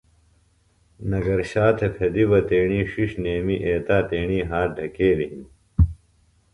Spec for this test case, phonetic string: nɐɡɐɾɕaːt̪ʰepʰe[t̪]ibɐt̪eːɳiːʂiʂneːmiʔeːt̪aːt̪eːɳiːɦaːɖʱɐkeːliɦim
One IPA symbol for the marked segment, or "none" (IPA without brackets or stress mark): d̪